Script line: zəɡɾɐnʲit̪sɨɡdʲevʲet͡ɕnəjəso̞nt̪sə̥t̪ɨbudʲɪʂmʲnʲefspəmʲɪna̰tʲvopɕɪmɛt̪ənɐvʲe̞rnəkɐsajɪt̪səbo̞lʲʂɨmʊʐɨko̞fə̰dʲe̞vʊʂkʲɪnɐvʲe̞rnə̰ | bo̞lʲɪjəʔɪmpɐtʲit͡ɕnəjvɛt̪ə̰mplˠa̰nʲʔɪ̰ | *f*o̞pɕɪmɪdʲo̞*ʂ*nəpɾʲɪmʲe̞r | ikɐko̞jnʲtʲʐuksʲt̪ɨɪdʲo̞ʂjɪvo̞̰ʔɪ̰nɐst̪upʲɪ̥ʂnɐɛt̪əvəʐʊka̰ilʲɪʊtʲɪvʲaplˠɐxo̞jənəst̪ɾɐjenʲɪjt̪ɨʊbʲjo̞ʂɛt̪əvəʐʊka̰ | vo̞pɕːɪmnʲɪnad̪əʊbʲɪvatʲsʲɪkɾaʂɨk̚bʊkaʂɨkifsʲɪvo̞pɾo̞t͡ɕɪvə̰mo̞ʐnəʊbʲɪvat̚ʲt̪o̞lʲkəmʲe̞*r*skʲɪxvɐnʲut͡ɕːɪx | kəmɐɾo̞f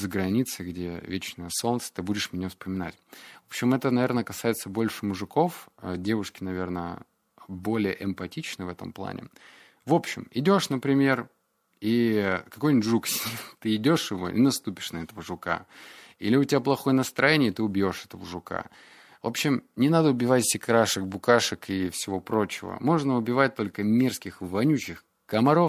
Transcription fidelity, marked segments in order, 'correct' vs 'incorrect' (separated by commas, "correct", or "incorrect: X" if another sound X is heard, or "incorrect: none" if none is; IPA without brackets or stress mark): incorrect: v, correct, correct